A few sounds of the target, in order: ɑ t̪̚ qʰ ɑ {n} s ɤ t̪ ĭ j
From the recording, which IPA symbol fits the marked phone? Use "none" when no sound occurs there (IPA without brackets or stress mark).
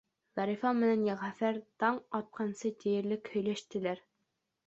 n